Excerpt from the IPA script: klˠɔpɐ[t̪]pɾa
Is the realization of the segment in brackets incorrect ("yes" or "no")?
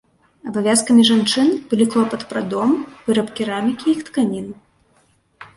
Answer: no